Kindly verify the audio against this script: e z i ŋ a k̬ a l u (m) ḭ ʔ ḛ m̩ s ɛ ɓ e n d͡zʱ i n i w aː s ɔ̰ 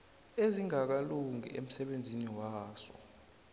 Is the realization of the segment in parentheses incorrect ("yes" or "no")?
yes